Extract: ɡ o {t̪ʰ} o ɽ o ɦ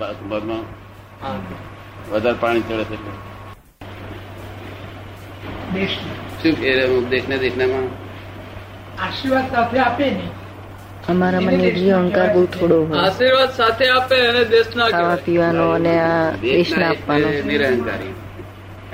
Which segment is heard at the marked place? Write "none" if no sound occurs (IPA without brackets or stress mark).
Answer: t̪ʰ